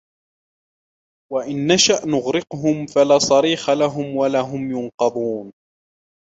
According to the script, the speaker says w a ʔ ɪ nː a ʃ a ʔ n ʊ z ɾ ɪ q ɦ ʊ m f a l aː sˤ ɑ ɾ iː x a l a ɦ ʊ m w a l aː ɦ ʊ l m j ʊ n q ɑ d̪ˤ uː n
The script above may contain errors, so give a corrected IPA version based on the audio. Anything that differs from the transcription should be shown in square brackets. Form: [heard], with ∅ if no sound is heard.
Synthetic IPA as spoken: w a ʔ ɪ nː a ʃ a ʔ n ʊ [ɣ] ɾ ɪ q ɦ ʊ m f a l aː sˤ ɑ ɾ iː x a l a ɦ ʊ m w a l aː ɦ ʊ [∅] m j ʊ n q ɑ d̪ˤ uː n